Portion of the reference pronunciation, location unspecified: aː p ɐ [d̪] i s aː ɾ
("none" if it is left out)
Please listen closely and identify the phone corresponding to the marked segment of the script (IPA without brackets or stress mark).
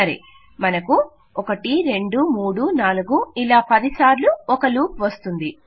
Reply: d̪